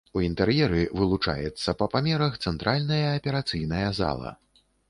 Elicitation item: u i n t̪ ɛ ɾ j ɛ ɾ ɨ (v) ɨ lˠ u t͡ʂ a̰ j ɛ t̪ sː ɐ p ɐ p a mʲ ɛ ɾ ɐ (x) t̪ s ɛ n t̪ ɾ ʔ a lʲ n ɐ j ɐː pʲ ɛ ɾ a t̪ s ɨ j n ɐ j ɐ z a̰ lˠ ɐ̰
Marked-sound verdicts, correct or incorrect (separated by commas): correct, correct